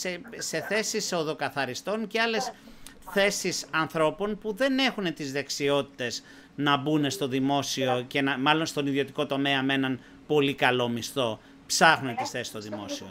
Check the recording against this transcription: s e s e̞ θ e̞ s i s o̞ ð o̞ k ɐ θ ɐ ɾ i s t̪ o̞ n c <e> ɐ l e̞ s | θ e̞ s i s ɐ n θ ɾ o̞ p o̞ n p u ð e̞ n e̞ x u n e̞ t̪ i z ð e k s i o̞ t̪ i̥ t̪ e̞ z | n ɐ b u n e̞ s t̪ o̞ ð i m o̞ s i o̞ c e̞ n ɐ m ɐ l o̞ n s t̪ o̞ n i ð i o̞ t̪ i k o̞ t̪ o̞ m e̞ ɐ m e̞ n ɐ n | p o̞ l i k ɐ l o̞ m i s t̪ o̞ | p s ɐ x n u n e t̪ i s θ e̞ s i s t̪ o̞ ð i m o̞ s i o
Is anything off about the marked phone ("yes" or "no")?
no